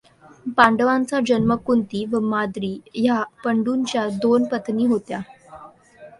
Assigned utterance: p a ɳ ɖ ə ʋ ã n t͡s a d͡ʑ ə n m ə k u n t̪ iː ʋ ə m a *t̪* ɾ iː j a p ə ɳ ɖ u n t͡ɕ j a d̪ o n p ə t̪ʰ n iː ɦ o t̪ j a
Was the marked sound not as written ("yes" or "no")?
yes